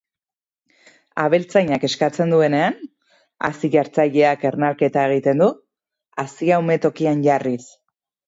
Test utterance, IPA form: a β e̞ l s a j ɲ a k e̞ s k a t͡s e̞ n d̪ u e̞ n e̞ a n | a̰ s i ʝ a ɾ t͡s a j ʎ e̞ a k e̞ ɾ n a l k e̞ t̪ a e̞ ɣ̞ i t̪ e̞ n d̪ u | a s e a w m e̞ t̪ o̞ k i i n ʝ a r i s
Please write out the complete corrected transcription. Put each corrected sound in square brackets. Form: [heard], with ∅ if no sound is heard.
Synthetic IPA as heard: a β e̞ l [t͡s] a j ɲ a k e̞ s k a t͡s e̞ n d̪ u e̞ n e̞ a n | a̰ s i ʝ a ɾ t͡s a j ʎ e̞ a k e̞ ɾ n a l k e̞ t̪ a e̞ ɣ̞ i t̪ e̞ n d̪ u | a s [i] a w m e̞ t̪ o̞ k i [a] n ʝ a r i s